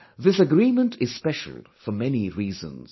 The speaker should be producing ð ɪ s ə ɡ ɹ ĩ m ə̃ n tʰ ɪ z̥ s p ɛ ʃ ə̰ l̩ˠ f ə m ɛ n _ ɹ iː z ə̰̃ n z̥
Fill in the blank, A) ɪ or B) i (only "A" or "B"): B